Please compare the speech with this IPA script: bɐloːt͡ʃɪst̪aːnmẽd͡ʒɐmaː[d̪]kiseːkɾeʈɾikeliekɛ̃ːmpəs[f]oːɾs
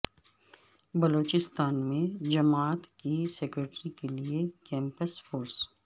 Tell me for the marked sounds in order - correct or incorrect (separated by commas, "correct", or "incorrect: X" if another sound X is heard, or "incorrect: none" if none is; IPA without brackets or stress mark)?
incorrect: t̪, correct